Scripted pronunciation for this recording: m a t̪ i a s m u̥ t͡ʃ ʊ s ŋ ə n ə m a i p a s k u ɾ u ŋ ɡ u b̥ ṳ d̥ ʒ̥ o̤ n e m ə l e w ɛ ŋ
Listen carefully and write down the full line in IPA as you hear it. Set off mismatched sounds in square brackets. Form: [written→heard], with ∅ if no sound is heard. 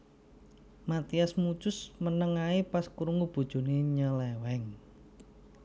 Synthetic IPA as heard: m a t̪ i a s m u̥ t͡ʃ ʊ s [ŋ→m] ə n ə [m→ŋ] a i p a s k u ɾ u ŋ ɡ u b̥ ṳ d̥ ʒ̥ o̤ n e [m→ɲ] ə l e w ɛ ŋ